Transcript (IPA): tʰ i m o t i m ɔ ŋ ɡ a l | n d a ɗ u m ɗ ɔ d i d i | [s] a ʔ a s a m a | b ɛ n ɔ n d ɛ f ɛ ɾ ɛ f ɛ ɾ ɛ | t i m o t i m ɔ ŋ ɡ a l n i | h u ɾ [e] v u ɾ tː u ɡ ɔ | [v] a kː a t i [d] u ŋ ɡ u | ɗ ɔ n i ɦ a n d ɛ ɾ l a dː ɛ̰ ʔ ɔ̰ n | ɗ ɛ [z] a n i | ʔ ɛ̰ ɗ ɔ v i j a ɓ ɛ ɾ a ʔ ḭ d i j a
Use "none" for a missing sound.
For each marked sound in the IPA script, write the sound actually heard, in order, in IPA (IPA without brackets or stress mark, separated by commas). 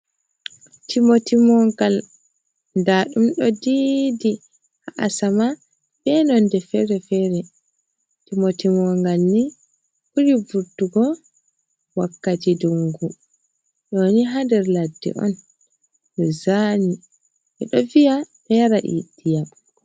h, i, w, d, z